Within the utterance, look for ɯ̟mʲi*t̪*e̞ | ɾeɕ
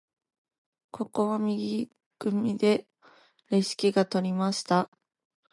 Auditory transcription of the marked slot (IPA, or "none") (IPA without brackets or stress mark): d̪